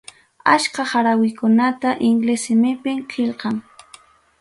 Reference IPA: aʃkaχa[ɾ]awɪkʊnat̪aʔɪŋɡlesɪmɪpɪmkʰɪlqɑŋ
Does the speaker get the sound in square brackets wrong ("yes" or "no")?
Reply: no